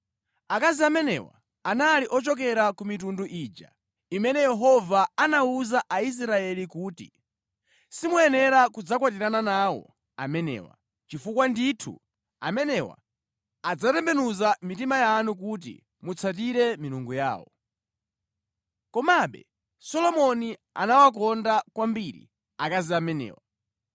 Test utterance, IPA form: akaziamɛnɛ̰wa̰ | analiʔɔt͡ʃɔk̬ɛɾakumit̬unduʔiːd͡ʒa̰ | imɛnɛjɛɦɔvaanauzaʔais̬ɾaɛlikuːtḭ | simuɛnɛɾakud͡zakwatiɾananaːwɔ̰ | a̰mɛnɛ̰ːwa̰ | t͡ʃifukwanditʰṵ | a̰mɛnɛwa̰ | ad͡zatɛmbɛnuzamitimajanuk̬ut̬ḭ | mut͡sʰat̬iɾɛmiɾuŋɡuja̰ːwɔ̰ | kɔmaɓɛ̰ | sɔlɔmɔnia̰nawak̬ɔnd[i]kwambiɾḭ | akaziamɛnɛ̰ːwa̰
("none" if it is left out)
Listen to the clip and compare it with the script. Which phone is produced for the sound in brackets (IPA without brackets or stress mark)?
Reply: a